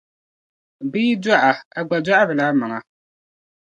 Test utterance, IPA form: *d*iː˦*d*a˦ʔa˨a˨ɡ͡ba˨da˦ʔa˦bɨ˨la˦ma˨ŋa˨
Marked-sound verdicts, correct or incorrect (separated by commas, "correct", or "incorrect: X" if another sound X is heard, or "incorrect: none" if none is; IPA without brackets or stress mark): incorrect: b, correct